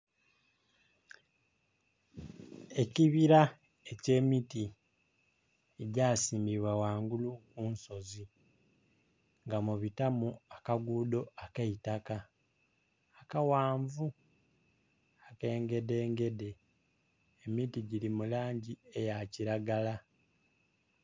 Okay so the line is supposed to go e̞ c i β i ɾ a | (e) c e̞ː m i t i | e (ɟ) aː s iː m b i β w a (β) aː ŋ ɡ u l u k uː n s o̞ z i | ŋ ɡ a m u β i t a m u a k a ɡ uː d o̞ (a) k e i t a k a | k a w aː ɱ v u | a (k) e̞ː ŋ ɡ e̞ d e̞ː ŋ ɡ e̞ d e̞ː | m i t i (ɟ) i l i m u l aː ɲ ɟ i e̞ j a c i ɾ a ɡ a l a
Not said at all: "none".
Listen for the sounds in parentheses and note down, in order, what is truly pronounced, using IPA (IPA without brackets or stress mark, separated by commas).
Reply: e, ɟ, w, a, k, ɟ